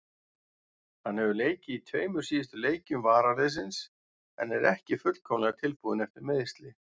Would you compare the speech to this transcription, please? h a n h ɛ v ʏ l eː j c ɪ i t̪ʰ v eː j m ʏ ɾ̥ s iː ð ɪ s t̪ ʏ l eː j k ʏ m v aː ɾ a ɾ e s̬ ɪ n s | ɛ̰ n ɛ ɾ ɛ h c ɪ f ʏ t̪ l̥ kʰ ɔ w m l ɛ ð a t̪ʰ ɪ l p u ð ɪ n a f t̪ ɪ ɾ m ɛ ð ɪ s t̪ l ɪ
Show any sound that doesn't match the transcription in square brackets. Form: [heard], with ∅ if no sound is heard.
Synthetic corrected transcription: h a n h ɛ v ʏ l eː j c ɪ i t̪ʰ v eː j m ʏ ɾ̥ s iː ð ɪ s t̪ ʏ l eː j [c] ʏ m v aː ɾ a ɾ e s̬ ɪ n s | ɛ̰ n ɛ ɾ ɛ h c ɪ f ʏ t̪ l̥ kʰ ɔ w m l ɛ [ɣ] a t̪ʰ ɪ l p u ð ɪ n [ɛ] f t̪ ɪ ɾ m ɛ ð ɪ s t̪ l ɪ